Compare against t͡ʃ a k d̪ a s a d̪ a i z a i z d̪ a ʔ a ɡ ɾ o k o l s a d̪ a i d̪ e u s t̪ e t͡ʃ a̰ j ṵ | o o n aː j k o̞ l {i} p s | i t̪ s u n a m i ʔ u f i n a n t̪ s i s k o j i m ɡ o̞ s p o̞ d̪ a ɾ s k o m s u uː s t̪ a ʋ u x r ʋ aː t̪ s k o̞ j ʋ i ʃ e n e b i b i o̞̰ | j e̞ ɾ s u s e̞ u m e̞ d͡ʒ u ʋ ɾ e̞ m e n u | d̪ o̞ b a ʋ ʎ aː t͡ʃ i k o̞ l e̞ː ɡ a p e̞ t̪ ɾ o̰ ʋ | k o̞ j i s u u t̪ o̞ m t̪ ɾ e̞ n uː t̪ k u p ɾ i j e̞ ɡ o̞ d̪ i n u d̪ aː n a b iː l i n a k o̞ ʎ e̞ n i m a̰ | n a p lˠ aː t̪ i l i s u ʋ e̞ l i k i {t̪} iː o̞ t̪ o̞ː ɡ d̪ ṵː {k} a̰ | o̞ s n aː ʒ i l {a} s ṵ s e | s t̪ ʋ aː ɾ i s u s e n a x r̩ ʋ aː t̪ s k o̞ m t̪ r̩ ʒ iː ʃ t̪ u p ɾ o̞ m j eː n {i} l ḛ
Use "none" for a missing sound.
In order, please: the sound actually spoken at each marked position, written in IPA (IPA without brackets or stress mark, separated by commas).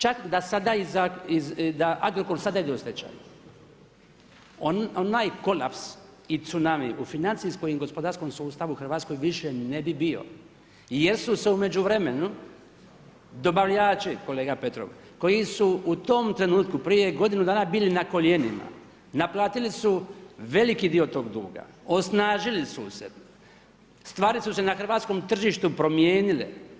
a, d̪, ɡ, i, i